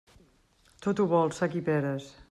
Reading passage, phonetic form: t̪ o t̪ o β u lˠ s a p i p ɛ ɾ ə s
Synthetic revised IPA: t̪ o t̪ u β ɔ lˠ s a k i p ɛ ɾ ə s